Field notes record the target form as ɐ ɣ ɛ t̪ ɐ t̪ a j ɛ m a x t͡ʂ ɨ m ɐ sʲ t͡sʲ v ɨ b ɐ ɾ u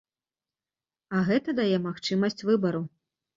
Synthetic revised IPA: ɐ ɣ ɛ t̪ ɐ d̪ a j ɛ m a x t͡ʂ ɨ m ɐ sʲ t͡sʲ v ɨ b ɐ ɾ u